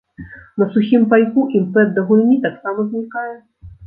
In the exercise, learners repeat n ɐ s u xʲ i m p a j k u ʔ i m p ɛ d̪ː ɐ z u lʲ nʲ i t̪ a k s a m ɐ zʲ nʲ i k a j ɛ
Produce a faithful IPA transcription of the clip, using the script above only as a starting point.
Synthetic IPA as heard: n ɐ s u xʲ i m p a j k u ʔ i m p ɛ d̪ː ɐ ɣ u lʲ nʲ i t̪ a k s a m ɐ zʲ nʲ i k a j ɛ